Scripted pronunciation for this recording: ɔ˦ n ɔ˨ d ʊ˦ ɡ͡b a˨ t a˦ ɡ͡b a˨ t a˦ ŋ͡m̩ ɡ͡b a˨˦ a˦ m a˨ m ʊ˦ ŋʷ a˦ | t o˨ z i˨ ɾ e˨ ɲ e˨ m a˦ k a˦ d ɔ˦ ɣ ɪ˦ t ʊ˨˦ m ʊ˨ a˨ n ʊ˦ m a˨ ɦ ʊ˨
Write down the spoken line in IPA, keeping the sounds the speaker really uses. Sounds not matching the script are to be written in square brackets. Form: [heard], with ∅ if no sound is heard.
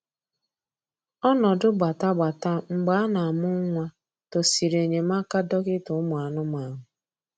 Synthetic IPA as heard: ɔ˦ n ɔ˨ d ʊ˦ ɡ͡b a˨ t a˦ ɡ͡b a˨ t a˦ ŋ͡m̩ ɡ͡b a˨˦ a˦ [n] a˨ m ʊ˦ ŋʷ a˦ | t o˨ [s] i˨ ɾ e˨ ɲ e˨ m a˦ k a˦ d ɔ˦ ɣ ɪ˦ t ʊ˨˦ m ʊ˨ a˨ n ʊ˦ m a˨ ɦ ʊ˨